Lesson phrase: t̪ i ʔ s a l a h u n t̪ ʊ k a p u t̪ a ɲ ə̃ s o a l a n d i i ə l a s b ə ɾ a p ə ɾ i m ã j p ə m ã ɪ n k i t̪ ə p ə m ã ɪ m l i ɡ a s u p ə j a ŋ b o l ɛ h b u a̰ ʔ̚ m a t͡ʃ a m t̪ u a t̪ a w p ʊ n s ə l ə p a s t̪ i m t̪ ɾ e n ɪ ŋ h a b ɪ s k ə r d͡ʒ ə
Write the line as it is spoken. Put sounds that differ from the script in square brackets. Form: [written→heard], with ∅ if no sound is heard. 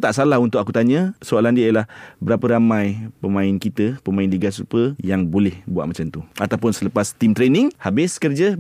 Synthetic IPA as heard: t̪ [i→a] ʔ s a l a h u n t̪ ʊ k a [p→k] u t̪ a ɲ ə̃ s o a l a n d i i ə l a [s→h] b ə ɾ a p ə ɾ [i→a] m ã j p ə m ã ɪ n k i t̪ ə p ə m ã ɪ [m→n] l i ɡ a s u p ə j a ŋ b o l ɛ h b u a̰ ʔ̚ m a t͡ʃ a m t̪ u a t̪ a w p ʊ n s ə l ə p a s t̪ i m t̪ ɾ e n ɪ ŋ h a b ɪ s k ə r d͡ʒ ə